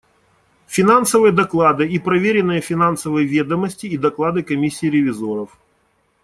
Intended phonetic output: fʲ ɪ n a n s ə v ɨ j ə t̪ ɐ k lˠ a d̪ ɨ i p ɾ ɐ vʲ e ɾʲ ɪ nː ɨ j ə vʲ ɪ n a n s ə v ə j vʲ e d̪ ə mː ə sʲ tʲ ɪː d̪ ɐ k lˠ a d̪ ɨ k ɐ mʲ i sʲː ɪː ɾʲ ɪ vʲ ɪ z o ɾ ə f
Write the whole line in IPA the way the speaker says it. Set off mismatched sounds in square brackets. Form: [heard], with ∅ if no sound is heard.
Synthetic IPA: fʲ ɪ n a n s ə v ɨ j ə [d̪] ɐ k lˠ a d̪ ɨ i p ɾ ɐ vʲ e ɾʲ ɪ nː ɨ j ə [fʲ] ɪ n a n s ə v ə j vʲ e d̪ ə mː ə sʲ tʲ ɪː d̪ ɐ k lˠ a d̪ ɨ k ɐ mʲ i sʲː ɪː ɾʲ ɪ vʲ ɪ z o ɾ ə f